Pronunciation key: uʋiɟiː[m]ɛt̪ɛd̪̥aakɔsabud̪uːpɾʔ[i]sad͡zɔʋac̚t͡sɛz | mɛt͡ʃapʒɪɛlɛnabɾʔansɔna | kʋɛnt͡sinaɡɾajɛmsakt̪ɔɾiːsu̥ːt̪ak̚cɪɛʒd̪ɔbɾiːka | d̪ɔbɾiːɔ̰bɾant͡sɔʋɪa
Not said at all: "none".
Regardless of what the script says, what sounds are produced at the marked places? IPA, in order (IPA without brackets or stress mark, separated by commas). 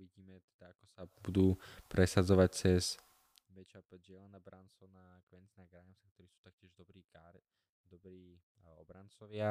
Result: m, ɛ